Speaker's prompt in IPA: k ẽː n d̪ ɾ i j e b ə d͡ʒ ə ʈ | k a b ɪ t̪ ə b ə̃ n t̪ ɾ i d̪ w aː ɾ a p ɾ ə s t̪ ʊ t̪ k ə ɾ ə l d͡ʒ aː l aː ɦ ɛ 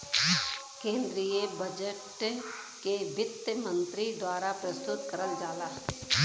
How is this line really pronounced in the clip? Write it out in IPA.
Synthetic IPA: k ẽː n d̪ ɾ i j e b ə d͡ʒ ə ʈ | k e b ɪ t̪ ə m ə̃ n t̪ ɾ i d̪ w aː ɾ a p ɾ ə s t̪ ʊ t̪ k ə ɾ ə l d͡ʒ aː l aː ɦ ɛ